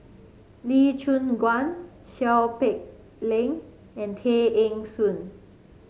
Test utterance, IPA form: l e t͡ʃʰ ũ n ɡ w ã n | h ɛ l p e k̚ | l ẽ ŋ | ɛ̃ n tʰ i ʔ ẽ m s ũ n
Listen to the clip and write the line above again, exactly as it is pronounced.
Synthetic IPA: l i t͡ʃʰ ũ n ɡ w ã n | ʃ ɛ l p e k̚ | l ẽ ŋ | ɛ̃ n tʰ e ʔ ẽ ŋ s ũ n